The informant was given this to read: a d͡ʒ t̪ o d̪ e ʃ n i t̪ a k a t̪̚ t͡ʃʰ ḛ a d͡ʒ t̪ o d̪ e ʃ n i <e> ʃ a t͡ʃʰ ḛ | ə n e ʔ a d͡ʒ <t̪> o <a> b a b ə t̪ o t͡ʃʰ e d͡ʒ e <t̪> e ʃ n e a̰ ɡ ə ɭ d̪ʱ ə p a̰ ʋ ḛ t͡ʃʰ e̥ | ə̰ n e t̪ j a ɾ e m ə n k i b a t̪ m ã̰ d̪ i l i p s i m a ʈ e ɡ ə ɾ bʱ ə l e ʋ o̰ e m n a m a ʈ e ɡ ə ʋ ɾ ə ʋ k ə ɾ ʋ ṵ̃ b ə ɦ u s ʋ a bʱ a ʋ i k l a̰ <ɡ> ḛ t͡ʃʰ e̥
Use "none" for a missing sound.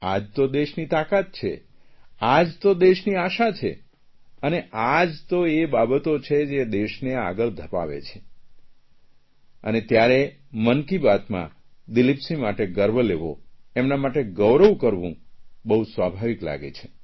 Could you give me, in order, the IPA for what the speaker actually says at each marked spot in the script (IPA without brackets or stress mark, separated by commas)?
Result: a, t̪, e, d̪, ɡ